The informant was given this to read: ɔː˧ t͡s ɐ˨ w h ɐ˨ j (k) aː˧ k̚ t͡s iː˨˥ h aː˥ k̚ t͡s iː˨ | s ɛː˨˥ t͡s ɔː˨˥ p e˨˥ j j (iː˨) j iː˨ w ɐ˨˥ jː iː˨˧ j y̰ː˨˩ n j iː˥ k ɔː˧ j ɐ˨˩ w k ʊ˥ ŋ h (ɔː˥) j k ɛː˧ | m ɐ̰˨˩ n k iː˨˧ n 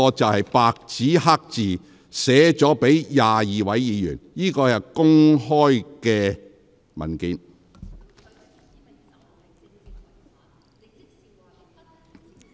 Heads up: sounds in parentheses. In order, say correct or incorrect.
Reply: incorrect: p, incorrect: aː˨, correct

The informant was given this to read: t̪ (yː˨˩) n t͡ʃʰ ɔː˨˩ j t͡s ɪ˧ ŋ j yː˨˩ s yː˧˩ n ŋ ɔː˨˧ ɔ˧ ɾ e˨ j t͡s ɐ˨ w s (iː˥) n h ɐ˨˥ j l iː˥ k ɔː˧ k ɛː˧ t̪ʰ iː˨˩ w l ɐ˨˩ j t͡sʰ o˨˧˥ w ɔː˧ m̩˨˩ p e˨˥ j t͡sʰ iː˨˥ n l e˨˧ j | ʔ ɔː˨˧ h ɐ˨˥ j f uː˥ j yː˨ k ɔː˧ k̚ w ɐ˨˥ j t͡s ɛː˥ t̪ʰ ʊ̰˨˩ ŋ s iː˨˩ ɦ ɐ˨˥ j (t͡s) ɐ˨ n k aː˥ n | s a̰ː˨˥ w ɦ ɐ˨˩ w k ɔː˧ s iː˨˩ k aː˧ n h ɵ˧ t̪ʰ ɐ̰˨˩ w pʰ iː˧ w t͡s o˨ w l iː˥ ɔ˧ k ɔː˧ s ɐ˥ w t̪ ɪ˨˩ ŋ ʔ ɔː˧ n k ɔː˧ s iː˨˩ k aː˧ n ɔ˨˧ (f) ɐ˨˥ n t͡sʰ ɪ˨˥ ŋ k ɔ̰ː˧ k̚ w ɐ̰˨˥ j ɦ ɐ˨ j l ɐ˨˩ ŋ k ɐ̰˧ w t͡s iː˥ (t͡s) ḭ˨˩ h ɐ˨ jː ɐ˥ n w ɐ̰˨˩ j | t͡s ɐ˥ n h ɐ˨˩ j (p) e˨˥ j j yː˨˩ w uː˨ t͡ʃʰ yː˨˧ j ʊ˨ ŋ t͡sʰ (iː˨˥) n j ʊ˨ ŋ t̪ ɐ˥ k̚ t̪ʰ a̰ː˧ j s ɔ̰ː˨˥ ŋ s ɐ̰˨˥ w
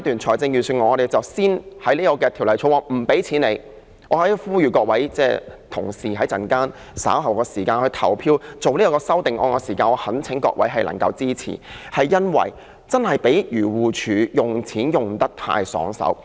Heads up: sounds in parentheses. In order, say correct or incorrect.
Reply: correct, correct, correct, incorrect: h, incorrect: t͡sʰ, correct, correct

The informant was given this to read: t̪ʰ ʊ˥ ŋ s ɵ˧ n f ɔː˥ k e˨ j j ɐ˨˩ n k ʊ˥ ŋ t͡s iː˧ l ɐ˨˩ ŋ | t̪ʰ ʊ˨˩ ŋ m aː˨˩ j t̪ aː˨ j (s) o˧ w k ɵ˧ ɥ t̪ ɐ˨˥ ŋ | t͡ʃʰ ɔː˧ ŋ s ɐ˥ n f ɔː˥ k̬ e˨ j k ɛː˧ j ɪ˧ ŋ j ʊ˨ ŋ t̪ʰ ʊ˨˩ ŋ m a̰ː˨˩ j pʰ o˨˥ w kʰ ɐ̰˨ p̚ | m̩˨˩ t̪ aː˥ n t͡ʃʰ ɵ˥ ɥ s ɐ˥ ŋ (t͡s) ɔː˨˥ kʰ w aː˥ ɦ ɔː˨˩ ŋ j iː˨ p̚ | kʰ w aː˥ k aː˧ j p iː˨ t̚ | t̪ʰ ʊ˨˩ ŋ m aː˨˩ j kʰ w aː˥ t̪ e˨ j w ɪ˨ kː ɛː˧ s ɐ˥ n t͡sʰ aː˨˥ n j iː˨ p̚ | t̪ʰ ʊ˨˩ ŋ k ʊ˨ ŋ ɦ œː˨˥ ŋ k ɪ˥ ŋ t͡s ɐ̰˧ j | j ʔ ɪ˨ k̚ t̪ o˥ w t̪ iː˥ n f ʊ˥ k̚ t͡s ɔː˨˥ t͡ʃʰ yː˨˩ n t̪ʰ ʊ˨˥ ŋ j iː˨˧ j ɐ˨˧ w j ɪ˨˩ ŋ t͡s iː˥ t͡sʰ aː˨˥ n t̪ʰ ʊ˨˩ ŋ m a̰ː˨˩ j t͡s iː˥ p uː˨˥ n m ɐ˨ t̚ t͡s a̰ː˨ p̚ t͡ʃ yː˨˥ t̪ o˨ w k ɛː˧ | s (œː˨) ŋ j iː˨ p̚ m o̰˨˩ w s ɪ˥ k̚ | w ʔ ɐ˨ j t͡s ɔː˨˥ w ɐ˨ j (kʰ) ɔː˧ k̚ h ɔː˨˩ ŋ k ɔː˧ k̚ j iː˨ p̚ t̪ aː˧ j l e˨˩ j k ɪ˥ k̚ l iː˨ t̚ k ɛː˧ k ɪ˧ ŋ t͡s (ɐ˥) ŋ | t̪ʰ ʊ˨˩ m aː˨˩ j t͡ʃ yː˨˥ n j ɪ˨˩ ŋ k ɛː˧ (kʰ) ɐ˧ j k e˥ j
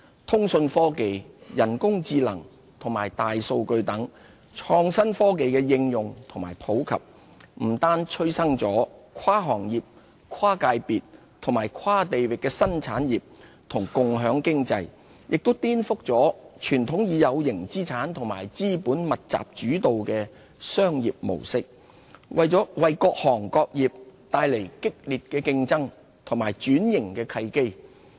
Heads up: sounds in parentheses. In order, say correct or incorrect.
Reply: correct, correct, incorrect: œː˥, incorrect: k, correct, correct

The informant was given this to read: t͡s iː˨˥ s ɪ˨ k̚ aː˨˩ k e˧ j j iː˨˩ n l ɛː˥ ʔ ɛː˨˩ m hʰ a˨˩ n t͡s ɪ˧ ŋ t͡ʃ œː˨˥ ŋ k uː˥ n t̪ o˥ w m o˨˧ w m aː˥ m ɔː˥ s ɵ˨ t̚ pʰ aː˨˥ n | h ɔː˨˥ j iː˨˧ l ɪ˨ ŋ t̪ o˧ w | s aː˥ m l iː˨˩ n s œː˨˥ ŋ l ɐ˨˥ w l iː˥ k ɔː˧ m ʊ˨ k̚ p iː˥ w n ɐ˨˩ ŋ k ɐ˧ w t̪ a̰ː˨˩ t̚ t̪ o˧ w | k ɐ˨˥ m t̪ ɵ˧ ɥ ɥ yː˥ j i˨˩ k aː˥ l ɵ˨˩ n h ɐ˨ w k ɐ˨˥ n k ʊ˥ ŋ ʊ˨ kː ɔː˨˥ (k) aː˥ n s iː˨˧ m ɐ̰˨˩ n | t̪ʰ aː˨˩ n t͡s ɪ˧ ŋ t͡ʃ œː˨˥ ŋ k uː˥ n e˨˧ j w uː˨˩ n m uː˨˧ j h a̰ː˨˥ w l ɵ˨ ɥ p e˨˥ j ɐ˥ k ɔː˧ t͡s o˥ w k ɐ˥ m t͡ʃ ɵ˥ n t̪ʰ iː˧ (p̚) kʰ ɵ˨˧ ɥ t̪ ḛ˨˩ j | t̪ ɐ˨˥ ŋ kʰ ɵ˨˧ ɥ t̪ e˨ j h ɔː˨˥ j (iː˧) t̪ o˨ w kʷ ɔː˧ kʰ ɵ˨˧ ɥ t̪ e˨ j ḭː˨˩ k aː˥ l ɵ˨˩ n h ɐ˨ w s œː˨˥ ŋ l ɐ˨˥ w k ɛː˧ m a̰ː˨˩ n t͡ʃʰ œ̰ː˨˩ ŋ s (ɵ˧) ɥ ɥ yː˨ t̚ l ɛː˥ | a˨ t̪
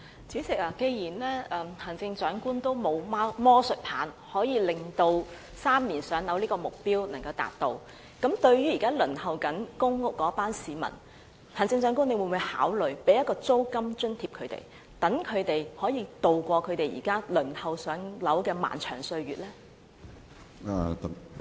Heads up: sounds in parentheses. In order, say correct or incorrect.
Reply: incorrect: p, correct, correct, correct

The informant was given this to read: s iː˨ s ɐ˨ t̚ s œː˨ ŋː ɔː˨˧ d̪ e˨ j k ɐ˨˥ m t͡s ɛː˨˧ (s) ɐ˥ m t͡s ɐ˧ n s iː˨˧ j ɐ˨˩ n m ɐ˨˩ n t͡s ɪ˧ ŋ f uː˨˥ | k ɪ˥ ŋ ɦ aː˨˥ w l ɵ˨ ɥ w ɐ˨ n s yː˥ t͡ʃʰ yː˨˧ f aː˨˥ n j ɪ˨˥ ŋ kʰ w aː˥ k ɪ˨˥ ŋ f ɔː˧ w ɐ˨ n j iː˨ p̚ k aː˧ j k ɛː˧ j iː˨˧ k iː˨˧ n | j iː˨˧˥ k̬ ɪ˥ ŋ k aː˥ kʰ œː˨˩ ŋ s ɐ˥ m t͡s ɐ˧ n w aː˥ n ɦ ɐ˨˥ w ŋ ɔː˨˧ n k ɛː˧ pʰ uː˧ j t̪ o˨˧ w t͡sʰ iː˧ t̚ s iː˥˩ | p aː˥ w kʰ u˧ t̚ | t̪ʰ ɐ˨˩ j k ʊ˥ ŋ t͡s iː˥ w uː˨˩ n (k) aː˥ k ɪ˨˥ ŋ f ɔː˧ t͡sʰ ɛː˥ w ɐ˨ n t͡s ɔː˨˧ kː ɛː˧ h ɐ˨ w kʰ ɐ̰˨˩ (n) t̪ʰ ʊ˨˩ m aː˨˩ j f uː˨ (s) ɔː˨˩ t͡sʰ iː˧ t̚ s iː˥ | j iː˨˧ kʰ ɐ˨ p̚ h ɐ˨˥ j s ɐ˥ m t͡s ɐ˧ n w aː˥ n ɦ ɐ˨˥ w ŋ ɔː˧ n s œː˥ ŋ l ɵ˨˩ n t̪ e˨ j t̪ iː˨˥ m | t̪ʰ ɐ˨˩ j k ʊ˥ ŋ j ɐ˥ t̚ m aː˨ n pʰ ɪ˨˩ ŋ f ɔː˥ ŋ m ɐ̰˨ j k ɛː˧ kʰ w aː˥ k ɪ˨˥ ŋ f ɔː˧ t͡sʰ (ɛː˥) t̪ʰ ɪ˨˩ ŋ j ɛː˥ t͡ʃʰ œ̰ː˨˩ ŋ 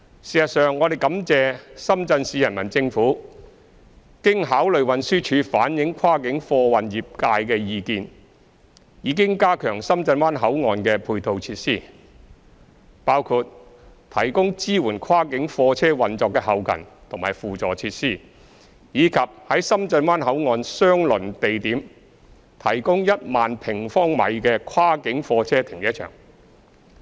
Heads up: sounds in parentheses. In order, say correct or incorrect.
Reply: correct, incorrect: kʰ, correct, incorrect: t͡s, correct

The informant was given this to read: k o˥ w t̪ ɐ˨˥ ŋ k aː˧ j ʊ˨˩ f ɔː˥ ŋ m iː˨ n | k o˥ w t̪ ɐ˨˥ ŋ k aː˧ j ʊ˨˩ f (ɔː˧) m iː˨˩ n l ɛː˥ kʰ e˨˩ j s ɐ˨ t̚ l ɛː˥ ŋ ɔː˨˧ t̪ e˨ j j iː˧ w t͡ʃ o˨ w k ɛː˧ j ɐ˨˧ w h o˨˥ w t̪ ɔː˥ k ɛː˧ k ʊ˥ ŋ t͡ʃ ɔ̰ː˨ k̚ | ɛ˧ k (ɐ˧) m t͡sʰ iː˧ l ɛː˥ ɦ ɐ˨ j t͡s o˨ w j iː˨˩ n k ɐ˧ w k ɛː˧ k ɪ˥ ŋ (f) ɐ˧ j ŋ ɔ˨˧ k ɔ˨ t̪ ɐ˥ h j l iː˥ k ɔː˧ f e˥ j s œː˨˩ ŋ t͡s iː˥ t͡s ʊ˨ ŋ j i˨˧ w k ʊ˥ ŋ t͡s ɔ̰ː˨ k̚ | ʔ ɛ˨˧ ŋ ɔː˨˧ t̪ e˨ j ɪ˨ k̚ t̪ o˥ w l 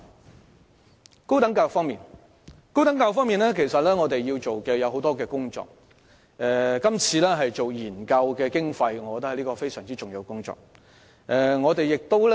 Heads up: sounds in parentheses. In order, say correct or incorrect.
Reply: incorrect: ɔː˥, incorrect: ɐ˥, correct

